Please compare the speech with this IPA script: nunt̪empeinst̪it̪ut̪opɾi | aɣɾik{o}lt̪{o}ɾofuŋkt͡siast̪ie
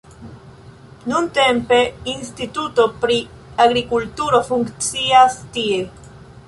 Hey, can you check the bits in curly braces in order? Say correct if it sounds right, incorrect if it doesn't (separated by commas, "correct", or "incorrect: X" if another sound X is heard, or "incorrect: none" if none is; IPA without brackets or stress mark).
incorrect: u, incorrect: u